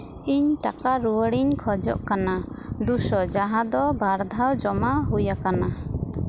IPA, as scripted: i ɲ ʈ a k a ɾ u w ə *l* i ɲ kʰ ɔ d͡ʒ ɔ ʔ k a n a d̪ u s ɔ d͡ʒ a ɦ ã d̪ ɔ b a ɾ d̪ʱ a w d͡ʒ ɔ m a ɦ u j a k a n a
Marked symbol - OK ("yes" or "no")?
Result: no